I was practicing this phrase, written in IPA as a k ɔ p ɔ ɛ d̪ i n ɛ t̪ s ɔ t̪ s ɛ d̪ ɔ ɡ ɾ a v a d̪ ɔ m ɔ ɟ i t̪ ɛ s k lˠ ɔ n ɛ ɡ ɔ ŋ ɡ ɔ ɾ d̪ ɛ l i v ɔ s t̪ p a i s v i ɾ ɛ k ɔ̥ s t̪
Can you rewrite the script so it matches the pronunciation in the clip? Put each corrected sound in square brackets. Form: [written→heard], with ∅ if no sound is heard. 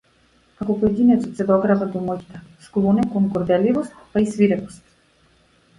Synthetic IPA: a k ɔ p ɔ ɛ d̪ i n ɛ t̪ s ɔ t̪ s ɛ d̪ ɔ ɡ ɾ a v a d̪ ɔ m ɔ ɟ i t̪ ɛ s k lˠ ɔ n ɛ [ɡ→k] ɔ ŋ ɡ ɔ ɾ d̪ ɛ l i v ɔ s t̪ p a i s v i ɾ ɛ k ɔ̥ s t̪